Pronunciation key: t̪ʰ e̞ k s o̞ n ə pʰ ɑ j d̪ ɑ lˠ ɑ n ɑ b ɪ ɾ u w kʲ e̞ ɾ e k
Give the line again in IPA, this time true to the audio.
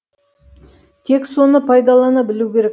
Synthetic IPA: t̪ʰ e̞ k s o̞ n ə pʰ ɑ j d̪ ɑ lˠ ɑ n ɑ b ɪ l u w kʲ e̞ ɾ e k

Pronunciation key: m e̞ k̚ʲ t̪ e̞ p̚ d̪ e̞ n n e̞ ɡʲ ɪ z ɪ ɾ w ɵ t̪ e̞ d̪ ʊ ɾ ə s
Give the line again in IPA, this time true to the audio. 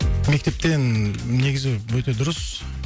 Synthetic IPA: m e̞ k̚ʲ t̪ e̞ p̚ t̪ e̞ n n e̞ ɡʲ ɪ z ɪ w ɵ t̪ e̞ d̪ ʊ ɾ ə s

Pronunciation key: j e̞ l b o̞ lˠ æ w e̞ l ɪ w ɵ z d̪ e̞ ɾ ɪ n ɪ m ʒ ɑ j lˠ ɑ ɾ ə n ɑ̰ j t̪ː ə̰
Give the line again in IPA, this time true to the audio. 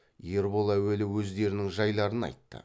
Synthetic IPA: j e̞ ɾ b o̞ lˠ æ w e̞ l ɪ w ɵ z d̪ e̞ ɾ ɪ n ɪ ŋ ʒ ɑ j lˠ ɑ ɾ ə n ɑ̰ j t̪ː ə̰

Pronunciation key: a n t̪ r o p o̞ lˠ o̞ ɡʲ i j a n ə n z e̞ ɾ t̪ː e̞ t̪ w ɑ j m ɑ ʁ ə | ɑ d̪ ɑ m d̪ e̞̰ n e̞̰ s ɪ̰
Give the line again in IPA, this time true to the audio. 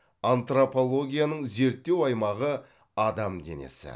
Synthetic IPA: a n t̪ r o p o̞ lˠ o̞ ɡʲ i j a n ə ɴ z e̞ ɾ t̪ː e̞ w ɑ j m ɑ ʁ ə | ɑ d̪ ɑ m d̪ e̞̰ n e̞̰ s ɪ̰

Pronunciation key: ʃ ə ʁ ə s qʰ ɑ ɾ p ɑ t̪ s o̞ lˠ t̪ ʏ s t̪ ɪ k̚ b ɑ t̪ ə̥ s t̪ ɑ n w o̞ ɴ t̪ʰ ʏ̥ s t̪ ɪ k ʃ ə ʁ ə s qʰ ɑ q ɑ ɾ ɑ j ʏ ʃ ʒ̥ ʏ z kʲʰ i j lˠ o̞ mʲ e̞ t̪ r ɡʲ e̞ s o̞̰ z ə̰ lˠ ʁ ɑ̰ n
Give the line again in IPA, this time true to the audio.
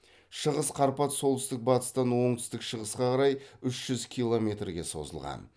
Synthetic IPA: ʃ ə ʁ ə s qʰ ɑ ɾ p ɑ t̪ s o̞ lˠ t̪ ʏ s t̪ ɪ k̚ b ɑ t̪ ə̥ s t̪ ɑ n w o̞ ɴ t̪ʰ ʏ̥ s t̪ ɪ k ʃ ə ʁ ə s q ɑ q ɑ ɾ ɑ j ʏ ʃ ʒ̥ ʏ z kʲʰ i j lˠ o̞ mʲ e̞ t̪ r ɡʲ e̞ s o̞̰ z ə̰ lˠ ʁ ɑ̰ n

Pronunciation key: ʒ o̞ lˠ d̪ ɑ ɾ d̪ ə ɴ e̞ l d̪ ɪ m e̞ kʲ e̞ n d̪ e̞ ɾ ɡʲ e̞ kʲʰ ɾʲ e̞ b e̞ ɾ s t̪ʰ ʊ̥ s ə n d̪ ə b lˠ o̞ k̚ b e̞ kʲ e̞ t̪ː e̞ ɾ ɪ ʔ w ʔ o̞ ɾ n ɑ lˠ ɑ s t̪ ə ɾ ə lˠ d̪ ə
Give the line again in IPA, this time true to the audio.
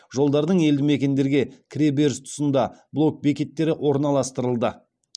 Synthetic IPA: ʒ o̞ lˠ d̪ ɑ ɾ d̪ ə ɴ e̞ l d̪ ɪ m e̞ kʲ e̞ n d̪ e̞ ɾ ɡʲ e̞ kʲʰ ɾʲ e̞ b e̞ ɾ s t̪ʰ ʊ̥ s ə n d̪ ɑ b lˠ o̞ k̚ b e̞ kʲ e̞ t̪ː e̞ ɾ ɪ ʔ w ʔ o̞ ɾ n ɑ lˠ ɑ s t̪ ə ɾ ə lˠ d̪ ə

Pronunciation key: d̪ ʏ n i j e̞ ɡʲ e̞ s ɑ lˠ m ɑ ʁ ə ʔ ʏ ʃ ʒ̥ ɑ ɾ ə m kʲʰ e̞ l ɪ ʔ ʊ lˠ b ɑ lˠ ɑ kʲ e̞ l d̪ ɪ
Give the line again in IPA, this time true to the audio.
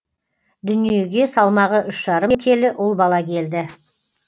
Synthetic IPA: d̪ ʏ n i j e̞ ɡʲ e̞ s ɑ lˠ m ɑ ʁ ə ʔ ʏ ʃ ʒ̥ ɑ ɾ ə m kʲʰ e̞ l ɪ ʔ ʊ lˠ b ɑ lˠ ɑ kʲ e̞ l d̪ ɪ

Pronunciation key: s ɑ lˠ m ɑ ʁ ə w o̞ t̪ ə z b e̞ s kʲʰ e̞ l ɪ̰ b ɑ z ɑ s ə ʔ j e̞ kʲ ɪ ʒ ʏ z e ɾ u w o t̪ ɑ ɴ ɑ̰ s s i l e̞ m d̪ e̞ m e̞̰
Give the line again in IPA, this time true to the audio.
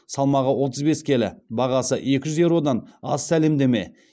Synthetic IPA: s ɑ lˠ m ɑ ʁ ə w o̞ t̪ ə z b e̞ s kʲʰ e̞ l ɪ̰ b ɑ ʁ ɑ s ə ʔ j e̞ kʲ ɪ ʒ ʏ z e ɾ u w o d̪ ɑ n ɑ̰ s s æ l e̞ m d̪ e̞ m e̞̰

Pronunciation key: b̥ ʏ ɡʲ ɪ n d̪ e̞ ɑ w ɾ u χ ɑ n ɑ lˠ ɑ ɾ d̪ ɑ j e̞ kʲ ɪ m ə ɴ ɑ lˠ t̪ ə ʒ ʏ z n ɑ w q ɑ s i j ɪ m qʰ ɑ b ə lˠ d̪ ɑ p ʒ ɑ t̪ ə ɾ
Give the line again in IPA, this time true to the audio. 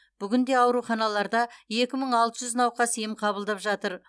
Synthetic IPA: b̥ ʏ ɡʲ ɪ n d̪ e̞ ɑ w ɾ u χ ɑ n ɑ lˠ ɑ ɾ d̪ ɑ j e̞ kʲ ɪ m ə ɴ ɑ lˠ t̪ ə ʒ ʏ z n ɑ w q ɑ s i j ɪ m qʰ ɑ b ə lˠ d̪ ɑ p ʒ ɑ t̪ ə ɾ

